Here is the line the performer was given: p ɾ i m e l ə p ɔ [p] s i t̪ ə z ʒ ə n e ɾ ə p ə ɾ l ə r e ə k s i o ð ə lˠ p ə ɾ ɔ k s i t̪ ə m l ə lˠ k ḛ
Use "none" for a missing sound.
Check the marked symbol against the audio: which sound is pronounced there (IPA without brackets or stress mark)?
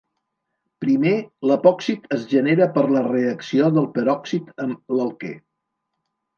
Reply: k